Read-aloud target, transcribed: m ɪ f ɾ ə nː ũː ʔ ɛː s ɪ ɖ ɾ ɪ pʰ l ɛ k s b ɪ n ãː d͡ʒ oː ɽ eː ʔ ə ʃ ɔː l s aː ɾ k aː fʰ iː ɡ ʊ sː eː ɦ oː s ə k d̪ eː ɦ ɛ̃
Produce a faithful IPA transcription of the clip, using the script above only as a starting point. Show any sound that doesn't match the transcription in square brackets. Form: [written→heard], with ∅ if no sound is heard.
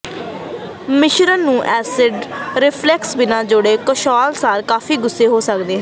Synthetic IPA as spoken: m ɪ [f→ʃ] ɾ ə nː ũː ʔ ɛː s ɪ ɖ ɾ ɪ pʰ l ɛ k s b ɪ n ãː d͡ʒ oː ɽ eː [ʔ→k] ə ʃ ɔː l s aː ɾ k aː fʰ iː ɡ ʊ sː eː ɦ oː s ə k d̪ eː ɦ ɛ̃